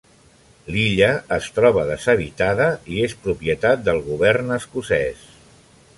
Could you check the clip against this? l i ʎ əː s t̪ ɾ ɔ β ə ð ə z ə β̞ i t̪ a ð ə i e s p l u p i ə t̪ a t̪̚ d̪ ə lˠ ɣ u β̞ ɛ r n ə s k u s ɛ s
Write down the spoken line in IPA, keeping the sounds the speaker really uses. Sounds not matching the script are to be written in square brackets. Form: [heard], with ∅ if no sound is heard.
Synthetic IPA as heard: l i ʎ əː s t̪ ɾ ɔ β ə ð ə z ə β̞ i t̪ a ð ə i e s p [ɾ] u p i ə t̪ a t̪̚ d̪ ə lˠ ɣ u β̞ ɛ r n ə s k u s ɛ s